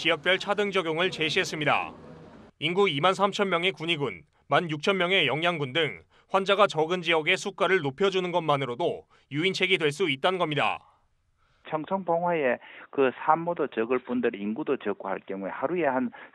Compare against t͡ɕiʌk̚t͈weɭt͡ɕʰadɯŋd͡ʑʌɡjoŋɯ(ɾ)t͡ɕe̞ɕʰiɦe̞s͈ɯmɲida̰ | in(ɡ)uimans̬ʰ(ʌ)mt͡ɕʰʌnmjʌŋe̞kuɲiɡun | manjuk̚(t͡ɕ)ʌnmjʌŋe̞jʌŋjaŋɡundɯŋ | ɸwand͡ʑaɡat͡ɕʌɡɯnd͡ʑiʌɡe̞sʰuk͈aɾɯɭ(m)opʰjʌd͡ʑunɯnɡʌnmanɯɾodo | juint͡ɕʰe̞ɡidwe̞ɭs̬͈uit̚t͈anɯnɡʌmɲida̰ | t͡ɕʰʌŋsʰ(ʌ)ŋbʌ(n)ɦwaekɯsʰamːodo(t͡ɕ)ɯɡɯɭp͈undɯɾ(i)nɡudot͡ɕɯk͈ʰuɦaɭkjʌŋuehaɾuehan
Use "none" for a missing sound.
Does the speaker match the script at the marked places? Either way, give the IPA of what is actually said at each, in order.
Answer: ɭ, ɡ, a, t͡ɕʰ, n, ʌ, ŋ, t͡ɕ, i

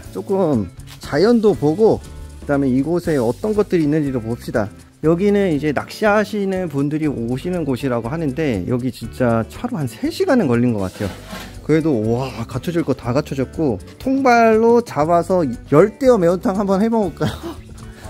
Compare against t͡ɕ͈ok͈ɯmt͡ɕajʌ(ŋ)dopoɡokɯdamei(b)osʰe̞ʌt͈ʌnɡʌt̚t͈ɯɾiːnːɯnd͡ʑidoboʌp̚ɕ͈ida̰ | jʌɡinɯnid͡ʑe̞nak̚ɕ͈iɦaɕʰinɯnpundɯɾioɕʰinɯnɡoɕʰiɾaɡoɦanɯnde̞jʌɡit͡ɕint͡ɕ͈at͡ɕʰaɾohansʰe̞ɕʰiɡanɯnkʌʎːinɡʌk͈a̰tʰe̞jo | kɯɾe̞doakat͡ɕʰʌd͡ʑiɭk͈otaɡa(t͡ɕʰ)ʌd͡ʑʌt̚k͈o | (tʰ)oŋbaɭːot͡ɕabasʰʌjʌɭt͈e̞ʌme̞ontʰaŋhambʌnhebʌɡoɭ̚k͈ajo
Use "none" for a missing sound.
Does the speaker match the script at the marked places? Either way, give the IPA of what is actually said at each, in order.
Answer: n, ɡ, t͡ɕʰ, tʰ

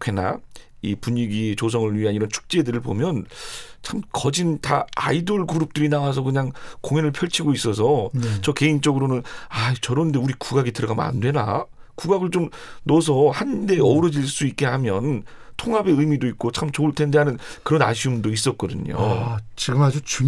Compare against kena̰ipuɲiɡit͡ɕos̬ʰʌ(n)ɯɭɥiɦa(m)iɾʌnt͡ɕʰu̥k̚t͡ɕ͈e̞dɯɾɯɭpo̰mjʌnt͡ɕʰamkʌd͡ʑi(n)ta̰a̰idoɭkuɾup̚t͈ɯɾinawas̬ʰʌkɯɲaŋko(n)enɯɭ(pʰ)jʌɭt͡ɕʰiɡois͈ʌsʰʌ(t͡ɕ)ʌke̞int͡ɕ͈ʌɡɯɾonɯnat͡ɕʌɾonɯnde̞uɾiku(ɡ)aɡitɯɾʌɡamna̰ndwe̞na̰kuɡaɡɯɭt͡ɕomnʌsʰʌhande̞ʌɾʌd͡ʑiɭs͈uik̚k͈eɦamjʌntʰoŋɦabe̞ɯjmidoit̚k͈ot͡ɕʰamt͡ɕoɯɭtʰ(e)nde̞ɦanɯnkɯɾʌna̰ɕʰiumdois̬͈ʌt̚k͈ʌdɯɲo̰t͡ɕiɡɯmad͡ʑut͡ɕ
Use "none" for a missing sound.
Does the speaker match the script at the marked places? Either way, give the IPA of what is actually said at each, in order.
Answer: ŋ, n, n, ŋ, pʰ, t͡ɕ, ɡ, e

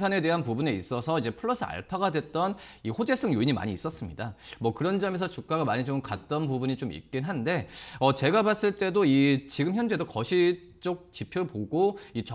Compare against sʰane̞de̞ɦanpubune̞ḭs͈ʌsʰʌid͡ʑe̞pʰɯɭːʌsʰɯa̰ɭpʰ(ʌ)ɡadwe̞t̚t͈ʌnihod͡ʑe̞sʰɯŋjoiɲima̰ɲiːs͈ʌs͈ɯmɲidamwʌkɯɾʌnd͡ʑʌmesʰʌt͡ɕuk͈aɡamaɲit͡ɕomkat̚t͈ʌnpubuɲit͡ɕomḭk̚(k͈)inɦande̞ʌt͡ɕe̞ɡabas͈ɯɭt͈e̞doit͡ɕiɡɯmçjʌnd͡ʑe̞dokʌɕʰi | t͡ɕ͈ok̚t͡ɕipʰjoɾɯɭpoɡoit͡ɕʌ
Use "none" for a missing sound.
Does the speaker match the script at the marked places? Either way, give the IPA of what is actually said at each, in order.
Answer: a, k͈

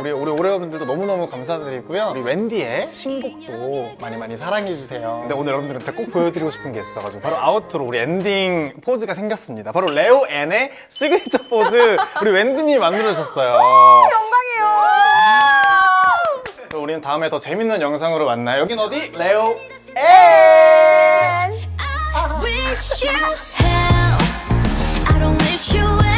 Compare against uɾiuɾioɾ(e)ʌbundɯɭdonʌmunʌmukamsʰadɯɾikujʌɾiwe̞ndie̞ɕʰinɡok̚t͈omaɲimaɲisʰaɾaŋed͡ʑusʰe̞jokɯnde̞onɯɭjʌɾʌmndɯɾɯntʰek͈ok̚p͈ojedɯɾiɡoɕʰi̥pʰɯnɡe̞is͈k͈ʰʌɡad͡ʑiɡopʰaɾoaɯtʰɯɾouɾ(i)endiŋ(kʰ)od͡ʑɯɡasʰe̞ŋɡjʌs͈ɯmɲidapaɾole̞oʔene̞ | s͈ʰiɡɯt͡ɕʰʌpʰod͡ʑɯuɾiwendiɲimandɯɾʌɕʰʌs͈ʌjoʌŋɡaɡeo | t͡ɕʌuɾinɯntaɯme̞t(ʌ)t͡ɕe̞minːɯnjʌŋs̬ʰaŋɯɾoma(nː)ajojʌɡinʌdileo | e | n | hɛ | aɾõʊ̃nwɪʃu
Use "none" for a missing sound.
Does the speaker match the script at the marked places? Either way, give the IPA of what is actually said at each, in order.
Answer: e, i, pʰ, ʌ, nː

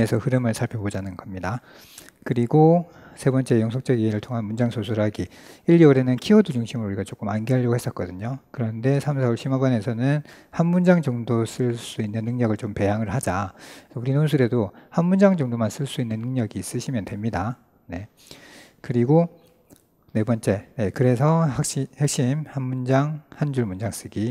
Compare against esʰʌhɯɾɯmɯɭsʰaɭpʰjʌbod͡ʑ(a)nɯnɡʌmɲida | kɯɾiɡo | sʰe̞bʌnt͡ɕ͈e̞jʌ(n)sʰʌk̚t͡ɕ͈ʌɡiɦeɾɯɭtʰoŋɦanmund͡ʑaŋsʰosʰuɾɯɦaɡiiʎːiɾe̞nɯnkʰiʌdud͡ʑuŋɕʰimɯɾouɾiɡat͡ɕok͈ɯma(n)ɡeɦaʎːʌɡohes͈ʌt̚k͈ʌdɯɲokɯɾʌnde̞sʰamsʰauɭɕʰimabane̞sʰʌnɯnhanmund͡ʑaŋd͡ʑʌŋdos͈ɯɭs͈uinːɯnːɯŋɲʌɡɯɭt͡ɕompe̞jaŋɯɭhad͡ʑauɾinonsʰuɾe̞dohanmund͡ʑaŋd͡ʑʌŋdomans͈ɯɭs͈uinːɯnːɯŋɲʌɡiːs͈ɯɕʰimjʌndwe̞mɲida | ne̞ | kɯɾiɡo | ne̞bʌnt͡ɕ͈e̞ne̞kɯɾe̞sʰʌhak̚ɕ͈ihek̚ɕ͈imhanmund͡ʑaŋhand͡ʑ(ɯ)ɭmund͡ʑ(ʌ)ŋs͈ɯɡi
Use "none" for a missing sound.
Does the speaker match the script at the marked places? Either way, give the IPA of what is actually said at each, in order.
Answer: a, ŋ, n, u, a

